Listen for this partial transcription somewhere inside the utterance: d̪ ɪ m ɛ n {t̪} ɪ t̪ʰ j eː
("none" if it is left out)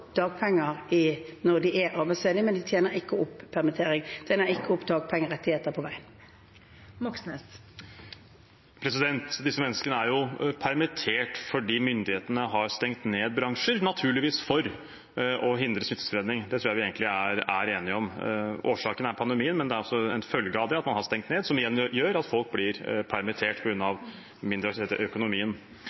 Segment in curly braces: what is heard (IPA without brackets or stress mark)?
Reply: d̪